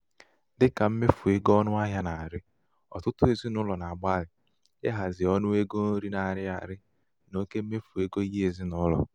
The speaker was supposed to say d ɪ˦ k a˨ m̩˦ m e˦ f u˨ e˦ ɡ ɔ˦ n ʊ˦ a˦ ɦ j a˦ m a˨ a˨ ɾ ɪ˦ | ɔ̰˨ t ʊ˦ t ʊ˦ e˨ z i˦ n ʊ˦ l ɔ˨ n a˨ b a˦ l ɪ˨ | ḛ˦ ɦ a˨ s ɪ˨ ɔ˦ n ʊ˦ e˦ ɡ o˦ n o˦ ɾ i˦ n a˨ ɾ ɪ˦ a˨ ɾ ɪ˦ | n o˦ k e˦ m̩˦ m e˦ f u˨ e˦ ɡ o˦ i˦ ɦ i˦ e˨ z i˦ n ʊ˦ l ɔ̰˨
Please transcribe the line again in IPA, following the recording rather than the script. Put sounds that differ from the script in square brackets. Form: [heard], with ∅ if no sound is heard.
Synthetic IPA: d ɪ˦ k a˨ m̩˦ m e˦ f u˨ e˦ ɡ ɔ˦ n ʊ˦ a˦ ɦ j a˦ [n] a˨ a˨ ɾ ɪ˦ | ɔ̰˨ t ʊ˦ t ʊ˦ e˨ z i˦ n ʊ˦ l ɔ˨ n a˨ [ɡ͡b] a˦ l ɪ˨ | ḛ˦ ɦ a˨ [z] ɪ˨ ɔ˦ n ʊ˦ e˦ ɡ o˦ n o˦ ɾ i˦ n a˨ ɾ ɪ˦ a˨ ɾ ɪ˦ | n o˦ k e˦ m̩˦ m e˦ f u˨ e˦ ɡ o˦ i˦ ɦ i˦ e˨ z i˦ n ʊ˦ l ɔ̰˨